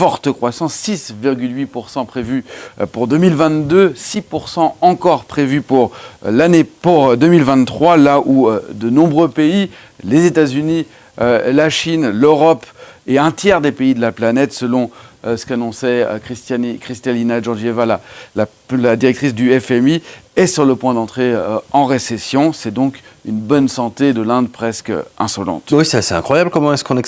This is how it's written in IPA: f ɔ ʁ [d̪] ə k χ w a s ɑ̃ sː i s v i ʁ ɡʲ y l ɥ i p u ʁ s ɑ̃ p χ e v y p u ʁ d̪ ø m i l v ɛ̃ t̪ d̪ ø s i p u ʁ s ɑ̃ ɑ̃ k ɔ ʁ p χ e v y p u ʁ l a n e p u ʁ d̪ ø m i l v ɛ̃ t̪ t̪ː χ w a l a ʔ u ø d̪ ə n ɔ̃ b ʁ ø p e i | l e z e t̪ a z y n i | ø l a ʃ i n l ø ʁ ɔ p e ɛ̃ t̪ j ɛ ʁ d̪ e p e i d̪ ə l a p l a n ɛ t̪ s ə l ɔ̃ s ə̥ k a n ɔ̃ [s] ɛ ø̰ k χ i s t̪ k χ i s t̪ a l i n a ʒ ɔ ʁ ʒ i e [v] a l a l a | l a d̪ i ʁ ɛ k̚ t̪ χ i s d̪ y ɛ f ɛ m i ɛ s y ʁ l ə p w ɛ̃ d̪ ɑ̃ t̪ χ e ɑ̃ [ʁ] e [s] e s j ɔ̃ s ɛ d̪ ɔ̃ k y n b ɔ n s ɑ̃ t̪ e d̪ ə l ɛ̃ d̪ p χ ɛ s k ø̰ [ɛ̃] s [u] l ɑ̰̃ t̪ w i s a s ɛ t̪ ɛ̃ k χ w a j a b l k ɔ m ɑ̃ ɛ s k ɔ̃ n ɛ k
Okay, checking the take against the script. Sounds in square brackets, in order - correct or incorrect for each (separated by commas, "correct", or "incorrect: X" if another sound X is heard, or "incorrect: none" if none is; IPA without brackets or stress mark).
incorrect: t̪, correct, correct, correct, correct, correct, incorrect: ɔ